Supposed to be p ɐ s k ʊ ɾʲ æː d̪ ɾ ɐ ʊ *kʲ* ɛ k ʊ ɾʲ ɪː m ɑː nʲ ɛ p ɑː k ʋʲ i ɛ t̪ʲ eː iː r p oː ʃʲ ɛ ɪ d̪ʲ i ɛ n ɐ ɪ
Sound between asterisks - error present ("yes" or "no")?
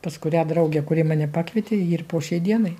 yes